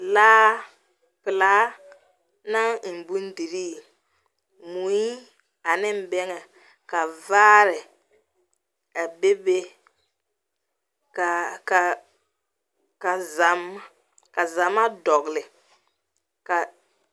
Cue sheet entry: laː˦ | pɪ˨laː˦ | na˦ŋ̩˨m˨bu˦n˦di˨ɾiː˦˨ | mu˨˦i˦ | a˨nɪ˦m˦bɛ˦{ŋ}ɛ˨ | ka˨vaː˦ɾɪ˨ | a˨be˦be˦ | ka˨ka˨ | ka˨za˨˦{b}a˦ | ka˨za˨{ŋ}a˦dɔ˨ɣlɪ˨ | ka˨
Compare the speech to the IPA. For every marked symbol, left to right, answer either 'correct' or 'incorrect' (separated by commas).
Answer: correct, incorrect, incorrect